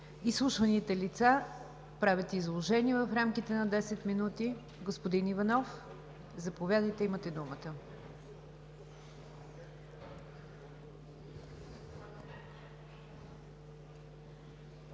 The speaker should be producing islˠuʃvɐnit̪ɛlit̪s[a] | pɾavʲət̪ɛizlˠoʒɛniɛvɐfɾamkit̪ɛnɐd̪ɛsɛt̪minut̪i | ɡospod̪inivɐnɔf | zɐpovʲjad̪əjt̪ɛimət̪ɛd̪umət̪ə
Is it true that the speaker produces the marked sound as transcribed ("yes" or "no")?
yes